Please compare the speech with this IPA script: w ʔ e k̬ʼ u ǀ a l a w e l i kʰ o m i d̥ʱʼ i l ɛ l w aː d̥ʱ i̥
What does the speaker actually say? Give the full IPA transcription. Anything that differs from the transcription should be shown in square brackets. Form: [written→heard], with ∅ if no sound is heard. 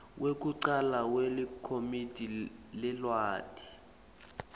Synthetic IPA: w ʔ e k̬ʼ u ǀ a l a w e l i kʰ o m i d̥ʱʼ i l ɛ l w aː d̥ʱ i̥